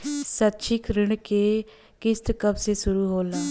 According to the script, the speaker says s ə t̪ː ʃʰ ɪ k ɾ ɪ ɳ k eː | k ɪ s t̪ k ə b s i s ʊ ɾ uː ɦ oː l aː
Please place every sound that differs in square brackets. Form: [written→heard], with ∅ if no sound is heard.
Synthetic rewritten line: s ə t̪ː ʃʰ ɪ k ɾ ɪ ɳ k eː | k ɪ s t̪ k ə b s [i→e] s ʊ ɾ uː ɦ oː l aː